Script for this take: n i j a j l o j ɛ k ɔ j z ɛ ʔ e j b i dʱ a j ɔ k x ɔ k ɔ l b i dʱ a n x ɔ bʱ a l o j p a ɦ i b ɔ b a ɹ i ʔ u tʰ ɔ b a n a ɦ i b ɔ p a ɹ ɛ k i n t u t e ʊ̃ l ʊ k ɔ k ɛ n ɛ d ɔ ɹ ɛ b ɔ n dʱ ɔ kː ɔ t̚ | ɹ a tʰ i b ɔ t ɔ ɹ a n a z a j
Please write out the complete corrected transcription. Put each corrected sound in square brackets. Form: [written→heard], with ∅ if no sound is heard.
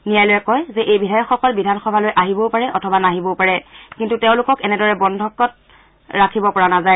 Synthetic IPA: n i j a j l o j ɛ k ɔ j z ɛ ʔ e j b i dʱ a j ɔ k x ɔ k ɔ l b i dʱ a n x ɔ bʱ a l o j [p→ʔ] a ɦ i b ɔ [b→p] a ɹ [i→ɛ] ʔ [u→ɔ] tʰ ɔ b a n a ɦ i b ɔ p a ɹ ɛ k i n t u t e ʊ̃ l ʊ k ɔ k ɛ n ɛ d ɔ ɹ ɛ b ɔ n dʱ ɔ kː ɔ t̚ | ɹ a [tʰ→kʰ] i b ɔ [t→p] ɔ ɹ a n a z a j